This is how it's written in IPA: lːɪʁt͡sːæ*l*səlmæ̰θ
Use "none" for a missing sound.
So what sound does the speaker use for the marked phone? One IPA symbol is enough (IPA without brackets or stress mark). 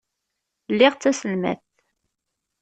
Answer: none